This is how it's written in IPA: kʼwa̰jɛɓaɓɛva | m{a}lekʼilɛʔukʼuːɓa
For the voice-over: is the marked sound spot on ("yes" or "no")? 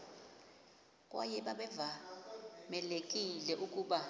no